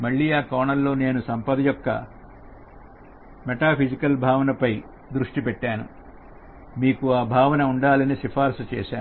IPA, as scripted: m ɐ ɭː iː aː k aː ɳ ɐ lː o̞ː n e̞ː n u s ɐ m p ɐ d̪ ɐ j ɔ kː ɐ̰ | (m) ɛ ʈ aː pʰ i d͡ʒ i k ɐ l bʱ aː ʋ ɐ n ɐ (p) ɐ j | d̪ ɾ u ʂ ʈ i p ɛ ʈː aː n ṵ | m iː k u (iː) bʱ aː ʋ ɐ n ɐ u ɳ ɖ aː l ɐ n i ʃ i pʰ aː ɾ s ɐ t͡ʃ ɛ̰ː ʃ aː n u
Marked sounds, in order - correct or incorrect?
correct, correct, incorrect: aː

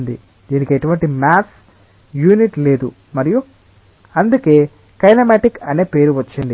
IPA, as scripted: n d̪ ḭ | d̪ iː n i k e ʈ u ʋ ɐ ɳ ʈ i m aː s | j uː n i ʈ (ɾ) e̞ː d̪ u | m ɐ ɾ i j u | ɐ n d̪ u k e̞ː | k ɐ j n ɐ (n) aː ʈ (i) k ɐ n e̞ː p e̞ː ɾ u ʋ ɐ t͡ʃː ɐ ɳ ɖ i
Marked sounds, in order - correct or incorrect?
incorrect: l, incorrect: m, correct

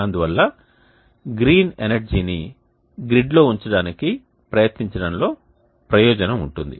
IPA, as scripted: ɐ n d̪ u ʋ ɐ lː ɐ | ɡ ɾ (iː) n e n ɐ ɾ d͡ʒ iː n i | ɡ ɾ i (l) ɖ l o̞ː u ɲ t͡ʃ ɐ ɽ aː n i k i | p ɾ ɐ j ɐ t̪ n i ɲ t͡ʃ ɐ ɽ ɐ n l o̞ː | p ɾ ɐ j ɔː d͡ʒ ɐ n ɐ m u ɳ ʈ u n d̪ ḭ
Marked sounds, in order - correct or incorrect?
correct, incorrect: none

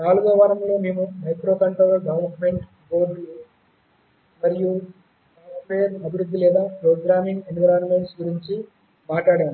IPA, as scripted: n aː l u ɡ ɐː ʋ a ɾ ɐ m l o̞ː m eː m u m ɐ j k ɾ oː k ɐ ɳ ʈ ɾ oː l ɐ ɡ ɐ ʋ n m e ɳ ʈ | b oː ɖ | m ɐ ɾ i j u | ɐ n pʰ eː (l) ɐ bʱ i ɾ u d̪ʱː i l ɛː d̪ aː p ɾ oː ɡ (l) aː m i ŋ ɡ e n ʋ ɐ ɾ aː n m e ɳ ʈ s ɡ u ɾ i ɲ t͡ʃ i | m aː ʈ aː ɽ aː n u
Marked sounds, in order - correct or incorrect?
incorrect: ɾ, incorrect: ɾ

